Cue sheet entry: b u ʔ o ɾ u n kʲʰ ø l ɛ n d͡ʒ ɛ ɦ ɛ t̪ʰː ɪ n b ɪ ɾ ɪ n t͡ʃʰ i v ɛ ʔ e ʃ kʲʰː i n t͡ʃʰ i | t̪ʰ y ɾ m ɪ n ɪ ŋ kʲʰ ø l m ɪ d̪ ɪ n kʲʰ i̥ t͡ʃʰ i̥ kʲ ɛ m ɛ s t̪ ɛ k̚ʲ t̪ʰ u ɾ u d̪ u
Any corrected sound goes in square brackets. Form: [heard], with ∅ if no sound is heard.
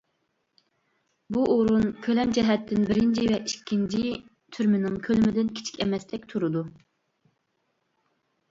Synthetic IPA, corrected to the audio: b u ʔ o ɾ u n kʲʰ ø l ɛ [m] d͡ʒ ɛ ɦ ɛ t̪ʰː ɪ n b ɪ ɾ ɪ n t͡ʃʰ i v ɛ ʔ [i] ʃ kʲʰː i n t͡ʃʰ i | t̪ʰ y ɾ m ɪ n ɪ ŋ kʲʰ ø l m ɪ d̪ ɪ n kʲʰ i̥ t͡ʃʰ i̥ kʲ ɛ m ɛ s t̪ ɛ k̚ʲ t̪ʰ u ɾ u d̪ u